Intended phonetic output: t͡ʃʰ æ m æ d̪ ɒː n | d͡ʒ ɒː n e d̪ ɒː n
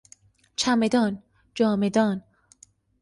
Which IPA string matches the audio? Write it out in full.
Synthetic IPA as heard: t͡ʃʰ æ m e d̪ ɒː n | d͡ʒ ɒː m e d̪ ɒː n